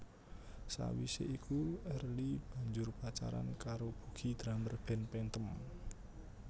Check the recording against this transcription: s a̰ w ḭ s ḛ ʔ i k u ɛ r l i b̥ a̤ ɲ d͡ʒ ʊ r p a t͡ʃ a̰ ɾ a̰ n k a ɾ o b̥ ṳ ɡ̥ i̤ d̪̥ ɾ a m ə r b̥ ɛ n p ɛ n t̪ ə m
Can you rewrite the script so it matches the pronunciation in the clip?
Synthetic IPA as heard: s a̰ w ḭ s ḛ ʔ i k u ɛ r l i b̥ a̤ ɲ d͡ʒ ʊ r p a t͡ʃ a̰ ɾ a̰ n k a ɾ o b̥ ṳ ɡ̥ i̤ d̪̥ ɾ a m ə r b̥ ɛ n p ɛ n t̪ ə m